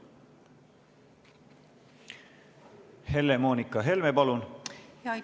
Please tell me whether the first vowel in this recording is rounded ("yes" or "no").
no